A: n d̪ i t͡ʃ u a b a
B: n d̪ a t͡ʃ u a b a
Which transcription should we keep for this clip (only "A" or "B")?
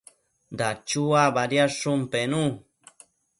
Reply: B